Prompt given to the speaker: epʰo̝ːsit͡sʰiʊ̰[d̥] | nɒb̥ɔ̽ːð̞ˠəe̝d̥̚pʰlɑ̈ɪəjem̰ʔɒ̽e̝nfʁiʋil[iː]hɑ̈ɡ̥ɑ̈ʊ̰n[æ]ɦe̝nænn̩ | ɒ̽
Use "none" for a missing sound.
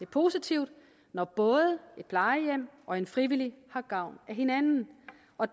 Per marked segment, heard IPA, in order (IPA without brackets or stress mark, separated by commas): d̥, i, æ